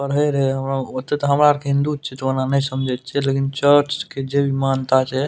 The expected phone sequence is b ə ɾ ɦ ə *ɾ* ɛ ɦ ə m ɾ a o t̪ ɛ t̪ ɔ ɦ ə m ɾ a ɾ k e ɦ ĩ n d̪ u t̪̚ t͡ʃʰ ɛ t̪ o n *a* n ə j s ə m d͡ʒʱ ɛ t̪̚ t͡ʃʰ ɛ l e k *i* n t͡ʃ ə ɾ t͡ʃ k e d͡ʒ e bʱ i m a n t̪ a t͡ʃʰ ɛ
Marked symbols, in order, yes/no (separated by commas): yes, yes, yes